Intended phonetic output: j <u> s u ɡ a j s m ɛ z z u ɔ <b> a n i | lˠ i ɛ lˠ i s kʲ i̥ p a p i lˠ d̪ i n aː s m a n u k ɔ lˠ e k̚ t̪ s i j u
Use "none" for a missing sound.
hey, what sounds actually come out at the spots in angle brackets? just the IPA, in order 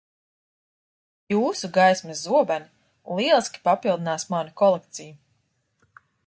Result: uː, b

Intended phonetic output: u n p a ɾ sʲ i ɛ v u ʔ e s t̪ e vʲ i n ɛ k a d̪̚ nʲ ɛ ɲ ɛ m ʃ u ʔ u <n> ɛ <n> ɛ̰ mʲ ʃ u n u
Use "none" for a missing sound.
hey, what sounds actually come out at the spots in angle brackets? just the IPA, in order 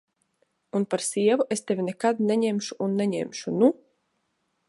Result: nː, ɲ

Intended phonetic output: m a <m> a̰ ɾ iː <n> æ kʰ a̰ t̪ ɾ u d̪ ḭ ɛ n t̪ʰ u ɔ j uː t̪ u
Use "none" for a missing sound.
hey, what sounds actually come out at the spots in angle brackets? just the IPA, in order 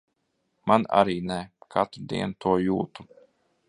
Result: n, n

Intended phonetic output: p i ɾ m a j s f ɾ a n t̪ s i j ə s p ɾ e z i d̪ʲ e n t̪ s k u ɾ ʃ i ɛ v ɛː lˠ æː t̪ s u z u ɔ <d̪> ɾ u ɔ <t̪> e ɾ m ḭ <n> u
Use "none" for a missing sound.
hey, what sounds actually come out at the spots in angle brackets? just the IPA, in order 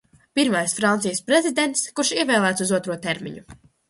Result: t̪, t̪, ɲ

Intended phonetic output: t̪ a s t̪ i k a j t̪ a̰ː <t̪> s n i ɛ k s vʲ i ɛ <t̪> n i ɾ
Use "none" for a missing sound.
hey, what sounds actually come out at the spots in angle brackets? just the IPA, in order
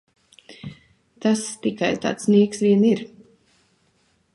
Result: t̪, none

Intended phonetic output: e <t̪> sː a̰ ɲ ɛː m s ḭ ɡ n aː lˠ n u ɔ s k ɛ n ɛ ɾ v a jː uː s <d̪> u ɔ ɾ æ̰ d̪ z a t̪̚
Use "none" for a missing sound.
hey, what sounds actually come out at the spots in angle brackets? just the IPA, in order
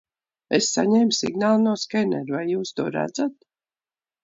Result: none, t̪

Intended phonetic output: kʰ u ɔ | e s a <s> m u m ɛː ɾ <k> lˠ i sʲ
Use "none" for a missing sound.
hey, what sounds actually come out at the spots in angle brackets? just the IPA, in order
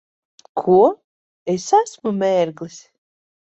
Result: s, ɡ

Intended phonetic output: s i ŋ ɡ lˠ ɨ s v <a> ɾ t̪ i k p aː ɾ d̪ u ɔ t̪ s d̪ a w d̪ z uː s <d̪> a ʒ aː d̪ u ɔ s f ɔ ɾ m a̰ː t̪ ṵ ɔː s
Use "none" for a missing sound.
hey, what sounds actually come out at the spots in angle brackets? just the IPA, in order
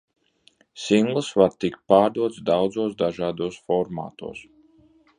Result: a, d̪

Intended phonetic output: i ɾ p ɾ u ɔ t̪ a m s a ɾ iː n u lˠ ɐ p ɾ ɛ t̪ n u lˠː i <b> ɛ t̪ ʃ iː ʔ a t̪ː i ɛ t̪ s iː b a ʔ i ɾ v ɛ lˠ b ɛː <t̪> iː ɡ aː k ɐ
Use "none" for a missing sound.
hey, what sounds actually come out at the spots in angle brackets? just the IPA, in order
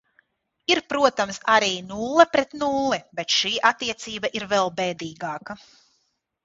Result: b, d̪

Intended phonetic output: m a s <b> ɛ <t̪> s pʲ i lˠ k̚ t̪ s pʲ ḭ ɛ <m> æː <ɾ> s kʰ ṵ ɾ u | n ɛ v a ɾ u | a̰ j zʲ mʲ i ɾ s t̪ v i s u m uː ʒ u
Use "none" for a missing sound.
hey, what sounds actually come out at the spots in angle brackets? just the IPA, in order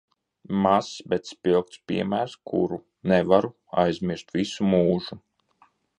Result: b, t̪, m, ɾ

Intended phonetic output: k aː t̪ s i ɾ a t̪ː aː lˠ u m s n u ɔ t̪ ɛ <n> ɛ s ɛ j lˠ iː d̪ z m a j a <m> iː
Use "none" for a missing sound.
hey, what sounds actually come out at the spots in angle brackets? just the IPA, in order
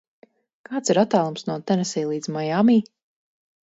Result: n, m

